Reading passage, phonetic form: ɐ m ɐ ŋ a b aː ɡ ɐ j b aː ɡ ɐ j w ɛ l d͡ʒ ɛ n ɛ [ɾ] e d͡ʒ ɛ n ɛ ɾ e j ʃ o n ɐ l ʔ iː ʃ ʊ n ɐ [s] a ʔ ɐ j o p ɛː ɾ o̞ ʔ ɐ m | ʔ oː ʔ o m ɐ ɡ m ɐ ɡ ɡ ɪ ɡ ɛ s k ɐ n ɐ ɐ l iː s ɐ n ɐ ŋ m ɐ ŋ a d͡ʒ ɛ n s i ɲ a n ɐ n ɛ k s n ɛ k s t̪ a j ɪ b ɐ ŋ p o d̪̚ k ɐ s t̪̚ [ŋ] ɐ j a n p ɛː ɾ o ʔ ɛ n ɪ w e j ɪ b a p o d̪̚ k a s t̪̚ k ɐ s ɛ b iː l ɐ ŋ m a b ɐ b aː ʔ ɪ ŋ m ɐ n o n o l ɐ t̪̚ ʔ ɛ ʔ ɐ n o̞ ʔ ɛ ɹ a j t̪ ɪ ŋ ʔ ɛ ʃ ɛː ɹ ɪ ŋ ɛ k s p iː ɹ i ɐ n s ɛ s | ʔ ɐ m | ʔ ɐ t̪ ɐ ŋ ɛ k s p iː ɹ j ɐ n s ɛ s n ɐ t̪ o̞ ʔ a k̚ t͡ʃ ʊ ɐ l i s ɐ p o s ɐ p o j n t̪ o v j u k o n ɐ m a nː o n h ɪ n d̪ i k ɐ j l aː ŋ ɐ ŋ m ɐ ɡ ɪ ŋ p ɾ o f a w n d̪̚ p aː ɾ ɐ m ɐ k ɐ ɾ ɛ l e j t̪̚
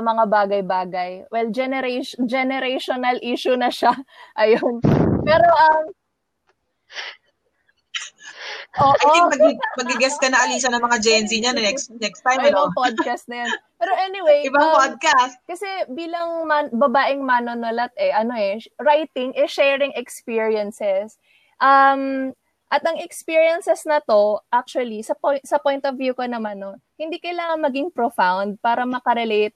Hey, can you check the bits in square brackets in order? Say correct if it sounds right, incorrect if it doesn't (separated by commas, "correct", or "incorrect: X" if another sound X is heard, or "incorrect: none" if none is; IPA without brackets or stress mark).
correct, incorrect: ʃ, incorrect: n